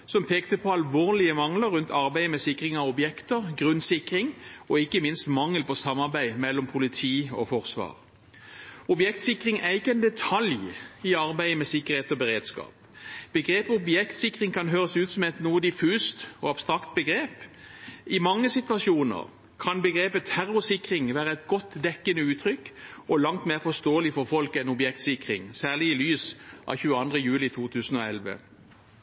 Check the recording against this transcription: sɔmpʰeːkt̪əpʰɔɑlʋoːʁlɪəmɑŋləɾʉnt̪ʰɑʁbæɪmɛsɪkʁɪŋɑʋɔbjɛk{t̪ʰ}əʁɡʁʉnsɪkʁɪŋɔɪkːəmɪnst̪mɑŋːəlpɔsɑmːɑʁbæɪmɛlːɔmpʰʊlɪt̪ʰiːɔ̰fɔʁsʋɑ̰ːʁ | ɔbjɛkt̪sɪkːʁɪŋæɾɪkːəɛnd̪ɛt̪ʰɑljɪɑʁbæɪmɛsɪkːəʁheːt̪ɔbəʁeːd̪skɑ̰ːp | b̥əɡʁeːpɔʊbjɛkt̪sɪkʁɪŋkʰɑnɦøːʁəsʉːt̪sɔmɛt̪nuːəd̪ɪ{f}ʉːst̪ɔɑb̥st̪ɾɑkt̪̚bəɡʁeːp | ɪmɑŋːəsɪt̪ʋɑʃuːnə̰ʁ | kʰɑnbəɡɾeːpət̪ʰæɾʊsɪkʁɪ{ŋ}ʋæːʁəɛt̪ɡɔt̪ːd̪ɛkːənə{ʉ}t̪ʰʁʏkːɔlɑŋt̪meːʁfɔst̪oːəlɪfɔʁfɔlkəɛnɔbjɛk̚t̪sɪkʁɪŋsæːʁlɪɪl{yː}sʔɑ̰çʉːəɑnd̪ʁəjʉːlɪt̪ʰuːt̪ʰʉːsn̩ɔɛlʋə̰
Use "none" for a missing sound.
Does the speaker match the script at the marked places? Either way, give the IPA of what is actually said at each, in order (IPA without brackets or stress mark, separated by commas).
t̪, f, ŋ, ʉː, yː